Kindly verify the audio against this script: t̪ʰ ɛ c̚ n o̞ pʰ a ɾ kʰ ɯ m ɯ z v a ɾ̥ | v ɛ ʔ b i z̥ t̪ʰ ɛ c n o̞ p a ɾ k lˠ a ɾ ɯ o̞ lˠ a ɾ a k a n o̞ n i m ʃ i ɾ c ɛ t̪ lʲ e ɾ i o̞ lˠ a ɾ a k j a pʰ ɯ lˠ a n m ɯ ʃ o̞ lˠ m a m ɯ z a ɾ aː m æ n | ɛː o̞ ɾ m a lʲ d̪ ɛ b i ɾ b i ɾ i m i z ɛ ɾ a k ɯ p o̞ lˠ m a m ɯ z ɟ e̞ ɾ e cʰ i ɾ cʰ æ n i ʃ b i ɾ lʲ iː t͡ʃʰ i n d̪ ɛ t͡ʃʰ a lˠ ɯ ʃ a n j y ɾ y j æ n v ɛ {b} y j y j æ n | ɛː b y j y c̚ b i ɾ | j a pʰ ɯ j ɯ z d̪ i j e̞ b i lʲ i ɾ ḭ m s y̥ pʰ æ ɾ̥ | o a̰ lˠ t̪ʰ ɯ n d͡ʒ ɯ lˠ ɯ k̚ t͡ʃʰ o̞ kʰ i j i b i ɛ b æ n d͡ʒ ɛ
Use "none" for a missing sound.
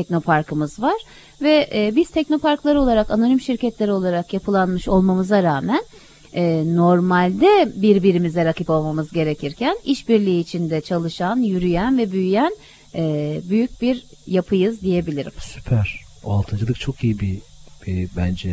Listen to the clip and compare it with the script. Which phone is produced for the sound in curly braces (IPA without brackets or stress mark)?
b